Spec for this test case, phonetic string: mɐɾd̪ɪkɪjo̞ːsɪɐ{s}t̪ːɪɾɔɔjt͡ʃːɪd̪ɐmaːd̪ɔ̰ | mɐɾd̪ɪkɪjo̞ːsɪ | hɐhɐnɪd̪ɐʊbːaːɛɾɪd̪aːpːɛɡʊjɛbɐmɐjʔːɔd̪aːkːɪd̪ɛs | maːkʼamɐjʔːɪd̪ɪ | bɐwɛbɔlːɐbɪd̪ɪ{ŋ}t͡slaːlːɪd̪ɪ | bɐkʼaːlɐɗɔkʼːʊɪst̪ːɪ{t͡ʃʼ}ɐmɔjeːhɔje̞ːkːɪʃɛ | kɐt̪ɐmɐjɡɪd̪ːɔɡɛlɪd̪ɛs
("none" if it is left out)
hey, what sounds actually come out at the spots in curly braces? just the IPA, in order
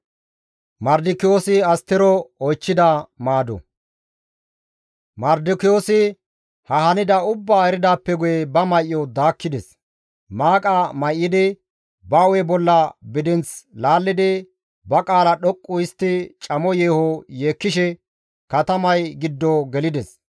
s, n, t͡ʃʼ

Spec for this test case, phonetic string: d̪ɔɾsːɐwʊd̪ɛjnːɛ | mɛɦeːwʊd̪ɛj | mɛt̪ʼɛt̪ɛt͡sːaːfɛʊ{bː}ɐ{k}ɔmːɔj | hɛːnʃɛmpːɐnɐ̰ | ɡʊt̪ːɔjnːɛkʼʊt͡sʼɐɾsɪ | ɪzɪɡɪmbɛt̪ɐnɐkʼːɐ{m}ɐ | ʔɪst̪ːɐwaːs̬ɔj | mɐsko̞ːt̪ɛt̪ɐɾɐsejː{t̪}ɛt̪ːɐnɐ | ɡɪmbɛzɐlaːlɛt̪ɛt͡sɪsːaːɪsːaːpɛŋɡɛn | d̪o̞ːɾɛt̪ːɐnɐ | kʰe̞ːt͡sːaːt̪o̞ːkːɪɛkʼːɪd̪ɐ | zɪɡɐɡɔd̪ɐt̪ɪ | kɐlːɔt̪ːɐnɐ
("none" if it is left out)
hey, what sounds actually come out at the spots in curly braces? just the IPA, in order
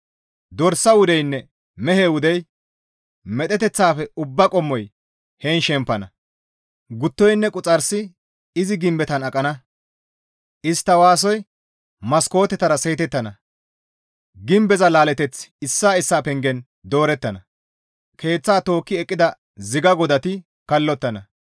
bː, kʼ, n, t̪

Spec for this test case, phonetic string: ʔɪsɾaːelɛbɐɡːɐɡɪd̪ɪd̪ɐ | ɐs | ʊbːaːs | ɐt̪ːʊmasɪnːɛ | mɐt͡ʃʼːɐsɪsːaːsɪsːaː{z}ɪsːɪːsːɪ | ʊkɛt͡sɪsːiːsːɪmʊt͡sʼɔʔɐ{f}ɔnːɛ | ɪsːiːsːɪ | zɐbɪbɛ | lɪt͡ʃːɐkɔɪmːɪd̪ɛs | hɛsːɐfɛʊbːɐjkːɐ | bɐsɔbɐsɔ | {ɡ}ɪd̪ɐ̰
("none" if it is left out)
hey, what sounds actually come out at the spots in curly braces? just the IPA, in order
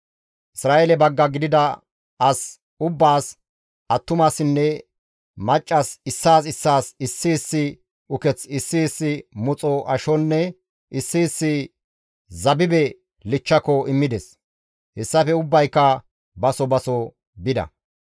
s, ʃ, b

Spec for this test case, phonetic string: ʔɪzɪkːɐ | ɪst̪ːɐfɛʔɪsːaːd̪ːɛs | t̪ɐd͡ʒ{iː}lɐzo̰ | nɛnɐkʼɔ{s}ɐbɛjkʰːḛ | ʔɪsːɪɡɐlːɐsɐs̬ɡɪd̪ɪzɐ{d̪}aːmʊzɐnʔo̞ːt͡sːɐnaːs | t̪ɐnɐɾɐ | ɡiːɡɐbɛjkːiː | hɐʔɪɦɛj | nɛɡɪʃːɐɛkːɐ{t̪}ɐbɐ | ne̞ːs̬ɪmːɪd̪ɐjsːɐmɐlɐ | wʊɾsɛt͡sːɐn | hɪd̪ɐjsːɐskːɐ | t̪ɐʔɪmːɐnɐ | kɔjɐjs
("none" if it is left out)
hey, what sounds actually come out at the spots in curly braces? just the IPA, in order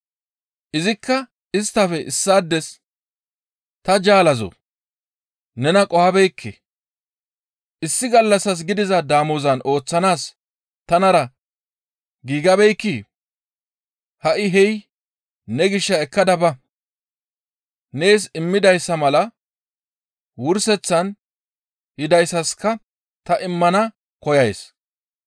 aː, h, d̪, d̪

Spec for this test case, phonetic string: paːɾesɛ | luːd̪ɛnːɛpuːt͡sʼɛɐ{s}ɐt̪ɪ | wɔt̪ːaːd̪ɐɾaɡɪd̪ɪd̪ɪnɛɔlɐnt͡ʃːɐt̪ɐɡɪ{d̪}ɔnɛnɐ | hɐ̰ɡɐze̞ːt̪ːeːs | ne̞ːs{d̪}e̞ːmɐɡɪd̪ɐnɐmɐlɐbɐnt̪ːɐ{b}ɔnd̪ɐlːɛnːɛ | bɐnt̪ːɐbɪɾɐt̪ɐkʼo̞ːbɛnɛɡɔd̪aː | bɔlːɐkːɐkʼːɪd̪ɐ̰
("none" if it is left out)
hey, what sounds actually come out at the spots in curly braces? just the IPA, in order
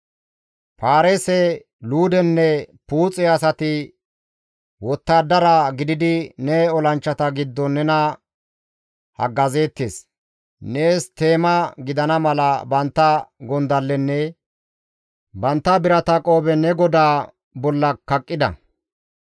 s, d̪ː, t̪, ɡ

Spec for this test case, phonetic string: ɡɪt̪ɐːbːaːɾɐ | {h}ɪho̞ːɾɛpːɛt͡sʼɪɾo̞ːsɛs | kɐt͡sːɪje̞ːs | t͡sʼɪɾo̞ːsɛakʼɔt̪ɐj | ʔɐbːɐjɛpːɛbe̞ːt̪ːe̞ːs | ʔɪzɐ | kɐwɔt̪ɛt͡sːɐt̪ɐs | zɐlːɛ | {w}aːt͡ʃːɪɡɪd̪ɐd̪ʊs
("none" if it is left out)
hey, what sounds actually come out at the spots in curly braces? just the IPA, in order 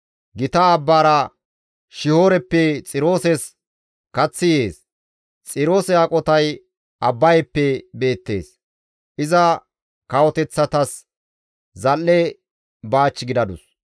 ʃ, b

